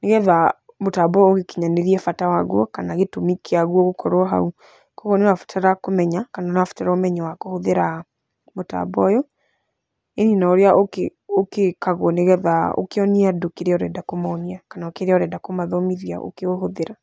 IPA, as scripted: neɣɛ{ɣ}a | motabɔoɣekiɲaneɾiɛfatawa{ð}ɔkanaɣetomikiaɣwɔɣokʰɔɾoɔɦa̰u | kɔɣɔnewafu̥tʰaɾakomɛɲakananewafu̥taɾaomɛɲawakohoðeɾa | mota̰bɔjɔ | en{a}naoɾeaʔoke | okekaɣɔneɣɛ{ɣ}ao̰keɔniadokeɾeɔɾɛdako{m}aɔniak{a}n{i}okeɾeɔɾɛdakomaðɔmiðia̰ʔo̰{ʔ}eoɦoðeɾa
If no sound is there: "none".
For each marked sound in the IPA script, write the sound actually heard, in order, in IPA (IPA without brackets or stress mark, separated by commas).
ð, ɣ, i, ð, m, a, a, k